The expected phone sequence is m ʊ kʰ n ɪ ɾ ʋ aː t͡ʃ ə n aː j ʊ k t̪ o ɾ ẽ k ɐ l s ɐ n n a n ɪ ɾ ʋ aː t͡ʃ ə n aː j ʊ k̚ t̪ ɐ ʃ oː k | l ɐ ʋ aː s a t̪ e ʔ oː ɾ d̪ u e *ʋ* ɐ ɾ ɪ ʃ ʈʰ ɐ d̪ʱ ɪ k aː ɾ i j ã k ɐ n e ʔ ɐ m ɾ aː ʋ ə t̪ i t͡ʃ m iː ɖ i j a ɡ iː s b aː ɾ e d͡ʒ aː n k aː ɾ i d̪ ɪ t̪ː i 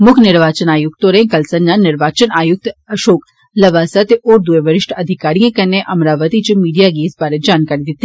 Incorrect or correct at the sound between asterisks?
correct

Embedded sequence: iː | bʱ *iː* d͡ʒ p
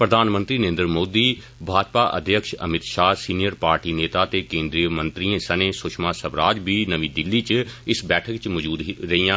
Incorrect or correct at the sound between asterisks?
incorrect: aː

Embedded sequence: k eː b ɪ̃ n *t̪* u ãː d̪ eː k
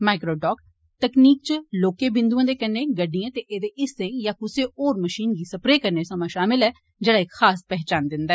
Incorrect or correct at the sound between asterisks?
incorrect: d̪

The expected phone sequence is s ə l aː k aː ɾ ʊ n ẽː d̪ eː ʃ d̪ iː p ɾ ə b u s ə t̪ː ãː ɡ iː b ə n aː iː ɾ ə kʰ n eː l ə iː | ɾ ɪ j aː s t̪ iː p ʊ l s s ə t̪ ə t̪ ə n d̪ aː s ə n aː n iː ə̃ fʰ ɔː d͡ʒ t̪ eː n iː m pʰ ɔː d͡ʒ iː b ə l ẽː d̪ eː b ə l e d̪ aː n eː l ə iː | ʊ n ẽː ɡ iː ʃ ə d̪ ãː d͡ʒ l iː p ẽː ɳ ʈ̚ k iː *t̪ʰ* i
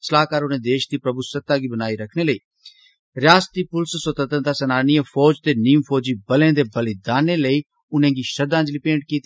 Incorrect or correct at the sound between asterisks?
incorrect: t̪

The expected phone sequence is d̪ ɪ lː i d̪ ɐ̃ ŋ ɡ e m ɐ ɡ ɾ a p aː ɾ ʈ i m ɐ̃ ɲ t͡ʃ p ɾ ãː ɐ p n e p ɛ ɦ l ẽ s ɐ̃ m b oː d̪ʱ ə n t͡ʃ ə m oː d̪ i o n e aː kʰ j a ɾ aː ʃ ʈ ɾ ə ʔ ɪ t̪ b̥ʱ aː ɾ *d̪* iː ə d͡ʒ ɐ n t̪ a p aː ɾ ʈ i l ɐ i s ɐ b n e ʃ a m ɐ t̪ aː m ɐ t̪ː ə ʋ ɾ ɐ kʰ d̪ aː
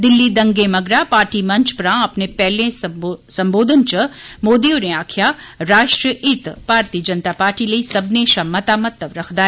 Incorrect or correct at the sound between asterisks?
incorrect: t̪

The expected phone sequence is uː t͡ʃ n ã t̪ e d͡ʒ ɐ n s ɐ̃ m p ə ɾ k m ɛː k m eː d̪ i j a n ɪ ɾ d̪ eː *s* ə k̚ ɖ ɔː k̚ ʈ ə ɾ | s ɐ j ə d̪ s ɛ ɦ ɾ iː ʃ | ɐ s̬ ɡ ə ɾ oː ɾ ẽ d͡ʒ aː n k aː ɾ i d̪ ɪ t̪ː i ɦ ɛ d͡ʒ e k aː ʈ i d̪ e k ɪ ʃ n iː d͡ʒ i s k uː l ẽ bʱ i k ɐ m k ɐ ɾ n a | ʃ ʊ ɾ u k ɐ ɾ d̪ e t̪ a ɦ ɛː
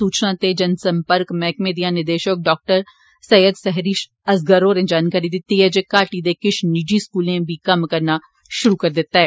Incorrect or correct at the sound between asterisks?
incorrect: ʃ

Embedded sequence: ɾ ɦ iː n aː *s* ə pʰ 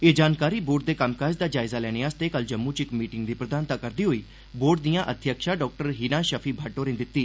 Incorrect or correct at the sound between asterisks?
incorrect: ʃ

